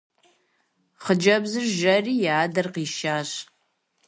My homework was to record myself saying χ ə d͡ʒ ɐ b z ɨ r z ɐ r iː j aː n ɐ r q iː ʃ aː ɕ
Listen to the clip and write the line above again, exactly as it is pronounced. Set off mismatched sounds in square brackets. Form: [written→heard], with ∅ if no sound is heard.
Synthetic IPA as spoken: χ ə d͡ʒ ɐ b z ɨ r [z→ʒ] ɐ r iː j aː [n→d] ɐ r q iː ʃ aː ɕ